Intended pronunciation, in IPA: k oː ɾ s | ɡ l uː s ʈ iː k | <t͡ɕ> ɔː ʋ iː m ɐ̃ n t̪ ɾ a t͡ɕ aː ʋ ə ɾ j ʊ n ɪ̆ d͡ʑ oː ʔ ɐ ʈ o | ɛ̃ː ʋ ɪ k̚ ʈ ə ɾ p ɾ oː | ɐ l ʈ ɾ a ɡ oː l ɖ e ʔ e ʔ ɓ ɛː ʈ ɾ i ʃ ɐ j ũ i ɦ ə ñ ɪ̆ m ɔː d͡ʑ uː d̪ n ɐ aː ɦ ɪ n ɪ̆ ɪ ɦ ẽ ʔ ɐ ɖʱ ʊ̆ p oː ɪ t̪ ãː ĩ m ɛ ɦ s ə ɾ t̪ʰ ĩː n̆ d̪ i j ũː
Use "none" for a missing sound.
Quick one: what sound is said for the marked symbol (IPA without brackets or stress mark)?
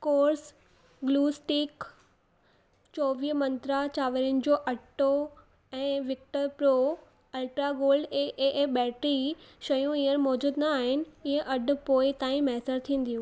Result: t͡ɕ